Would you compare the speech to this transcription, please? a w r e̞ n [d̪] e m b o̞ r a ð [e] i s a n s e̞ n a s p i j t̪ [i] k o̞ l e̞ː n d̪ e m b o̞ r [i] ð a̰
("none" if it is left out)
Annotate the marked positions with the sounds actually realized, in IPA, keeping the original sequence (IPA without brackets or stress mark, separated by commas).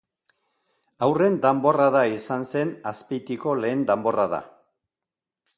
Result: d̪, a, i, a